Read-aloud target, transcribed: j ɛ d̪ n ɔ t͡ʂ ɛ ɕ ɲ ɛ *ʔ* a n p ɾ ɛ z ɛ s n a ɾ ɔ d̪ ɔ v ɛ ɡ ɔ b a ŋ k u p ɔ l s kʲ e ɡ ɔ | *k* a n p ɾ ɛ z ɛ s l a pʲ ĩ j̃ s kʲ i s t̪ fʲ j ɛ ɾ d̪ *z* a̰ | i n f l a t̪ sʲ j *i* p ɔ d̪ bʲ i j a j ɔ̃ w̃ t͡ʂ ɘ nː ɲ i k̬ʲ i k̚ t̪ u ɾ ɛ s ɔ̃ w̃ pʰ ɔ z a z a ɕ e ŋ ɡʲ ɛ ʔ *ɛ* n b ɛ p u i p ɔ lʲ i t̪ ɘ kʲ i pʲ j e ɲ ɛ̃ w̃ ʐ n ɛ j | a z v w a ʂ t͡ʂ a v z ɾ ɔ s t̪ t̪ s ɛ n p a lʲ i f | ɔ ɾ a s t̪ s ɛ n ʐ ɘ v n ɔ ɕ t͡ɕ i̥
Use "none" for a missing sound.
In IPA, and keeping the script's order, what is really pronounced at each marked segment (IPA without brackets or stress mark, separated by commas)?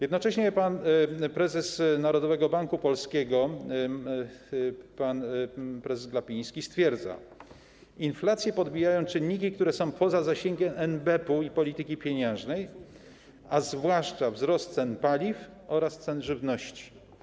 p, p, z, ɛ, ɛ